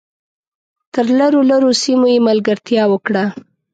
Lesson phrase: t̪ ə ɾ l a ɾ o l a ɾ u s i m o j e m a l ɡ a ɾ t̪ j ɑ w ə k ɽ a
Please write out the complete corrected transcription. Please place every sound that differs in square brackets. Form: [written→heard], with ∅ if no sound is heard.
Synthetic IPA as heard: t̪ ə ɾ l a ɾ o l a ɾ [u→o] s i m o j e m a l ɡ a ɾ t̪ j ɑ w ə k ɽ a